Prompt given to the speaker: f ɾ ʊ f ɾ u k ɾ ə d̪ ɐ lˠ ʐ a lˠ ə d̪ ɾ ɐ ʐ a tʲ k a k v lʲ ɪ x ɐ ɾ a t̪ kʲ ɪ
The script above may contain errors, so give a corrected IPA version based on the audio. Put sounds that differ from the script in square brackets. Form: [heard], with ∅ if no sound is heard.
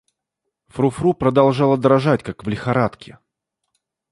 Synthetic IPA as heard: f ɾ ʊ f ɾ u [p] ɾ ə d̪ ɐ lˠ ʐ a lˠ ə d̪ ɾ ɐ ʐ a tʲ k a k v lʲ ɪ x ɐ ɾ a t̪ kʲ ɪ

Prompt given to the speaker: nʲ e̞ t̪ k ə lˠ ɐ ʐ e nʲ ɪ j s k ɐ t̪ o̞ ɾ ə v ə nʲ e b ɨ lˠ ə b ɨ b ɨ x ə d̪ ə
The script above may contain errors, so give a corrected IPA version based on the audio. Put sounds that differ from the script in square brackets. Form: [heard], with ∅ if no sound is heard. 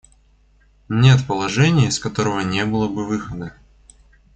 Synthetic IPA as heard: nʲ e̞ t̪ [p] ə lˠ ɐ ʐ [ɛ] nʲ ɪ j s k ɐ t̪ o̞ ɾ ə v ə nʲ e b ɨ lˠ ə b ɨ [v] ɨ x ə d̪ ə

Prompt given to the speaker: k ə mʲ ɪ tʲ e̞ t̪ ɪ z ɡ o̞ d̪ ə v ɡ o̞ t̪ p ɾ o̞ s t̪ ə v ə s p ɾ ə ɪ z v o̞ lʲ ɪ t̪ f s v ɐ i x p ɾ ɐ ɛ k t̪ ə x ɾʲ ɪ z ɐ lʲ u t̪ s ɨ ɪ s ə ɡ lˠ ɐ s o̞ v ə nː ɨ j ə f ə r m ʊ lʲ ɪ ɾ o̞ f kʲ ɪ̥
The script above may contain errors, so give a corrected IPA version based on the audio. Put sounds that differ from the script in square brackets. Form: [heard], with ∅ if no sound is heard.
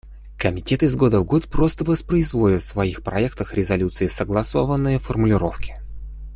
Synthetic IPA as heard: k ə mʲ ɪ tʲ e̞ t̪ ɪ z ɡ o̞ d̪ ə v ɡ o̞ t̪ p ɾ o̞ s t̪ ə v ə s p ɾ ə ɪ z v o̞ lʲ ɪ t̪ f s v ɐ i x p ɾ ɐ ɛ k t̪ ə x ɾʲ ɪ z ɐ lʲ u t̪ s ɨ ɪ s ə ɡ lˠ ɐ s o̞ v ə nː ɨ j ə f ə r m ʊ lʲ ɪ ɾ o̞ f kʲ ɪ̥

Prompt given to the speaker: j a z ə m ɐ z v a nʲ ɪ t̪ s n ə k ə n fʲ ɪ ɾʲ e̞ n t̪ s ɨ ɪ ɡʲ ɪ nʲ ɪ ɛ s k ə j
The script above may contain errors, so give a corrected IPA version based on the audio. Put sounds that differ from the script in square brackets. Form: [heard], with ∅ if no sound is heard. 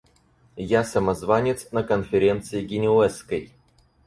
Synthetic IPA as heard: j a [s] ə m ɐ z v a nʲ ɪ t̪ s n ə k ə n fʲ ɪ ɾʲ e̞ n t̪ s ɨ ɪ ɡʲ ɪ nʲ ɪ ɛ s k ə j

